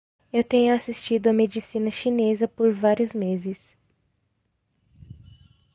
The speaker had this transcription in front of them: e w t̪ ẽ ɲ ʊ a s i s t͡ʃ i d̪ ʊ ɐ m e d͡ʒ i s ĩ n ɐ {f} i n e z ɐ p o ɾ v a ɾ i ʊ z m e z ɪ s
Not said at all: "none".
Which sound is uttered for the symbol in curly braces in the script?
ʃ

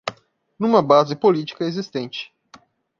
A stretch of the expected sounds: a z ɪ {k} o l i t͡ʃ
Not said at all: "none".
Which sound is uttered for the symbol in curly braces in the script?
p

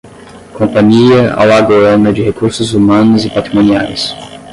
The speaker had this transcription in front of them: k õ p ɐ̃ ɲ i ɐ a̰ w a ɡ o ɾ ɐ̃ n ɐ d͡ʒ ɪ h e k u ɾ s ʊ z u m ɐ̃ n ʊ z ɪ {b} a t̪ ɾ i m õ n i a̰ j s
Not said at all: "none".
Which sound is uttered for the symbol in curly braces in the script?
p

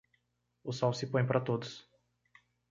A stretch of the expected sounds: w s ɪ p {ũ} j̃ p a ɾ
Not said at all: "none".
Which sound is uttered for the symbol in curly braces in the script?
õ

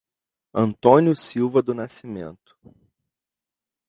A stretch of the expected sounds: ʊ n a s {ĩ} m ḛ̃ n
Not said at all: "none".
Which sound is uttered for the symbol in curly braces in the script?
i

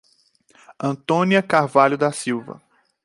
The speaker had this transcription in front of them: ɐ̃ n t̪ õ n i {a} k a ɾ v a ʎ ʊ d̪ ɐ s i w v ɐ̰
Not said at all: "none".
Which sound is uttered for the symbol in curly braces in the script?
ɐ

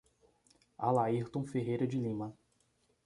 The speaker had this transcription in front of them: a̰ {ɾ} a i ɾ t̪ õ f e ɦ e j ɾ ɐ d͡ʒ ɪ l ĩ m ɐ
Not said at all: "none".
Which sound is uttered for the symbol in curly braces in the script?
l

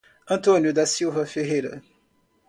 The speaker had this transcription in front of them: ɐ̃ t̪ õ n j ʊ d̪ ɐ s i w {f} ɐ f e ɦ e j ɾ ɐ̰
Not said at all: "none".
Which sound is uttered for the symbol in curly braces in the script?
v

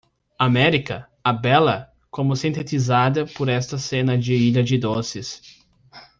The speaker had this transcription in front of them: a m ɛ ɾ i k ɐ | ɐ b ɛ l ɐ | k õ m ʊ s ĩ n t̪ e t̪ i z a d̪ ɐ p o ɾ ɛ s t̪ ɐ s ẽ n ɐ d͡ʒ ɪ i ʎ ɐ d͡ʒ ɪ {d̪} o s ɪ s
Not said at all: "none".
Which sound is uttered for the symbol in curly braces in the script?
d̪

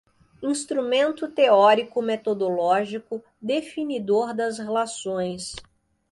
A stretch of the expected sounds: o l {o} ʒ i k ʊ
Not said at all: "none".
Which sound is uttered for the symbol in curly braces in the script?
ɔ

